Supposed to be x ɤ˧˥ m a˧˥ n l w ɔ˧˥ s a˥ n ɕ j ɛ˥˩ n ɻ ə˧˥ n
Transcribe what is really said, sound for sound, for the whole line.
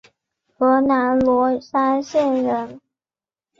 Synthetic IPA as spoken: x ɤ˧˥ n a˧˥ n l w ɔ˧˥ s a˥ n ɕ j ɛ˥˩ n ɻ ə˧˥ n